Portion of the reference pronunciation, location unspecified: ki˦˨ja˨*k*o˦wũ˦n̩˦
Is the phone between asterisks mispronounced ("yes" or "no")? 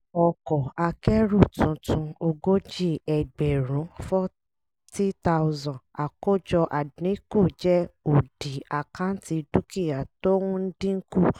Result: yes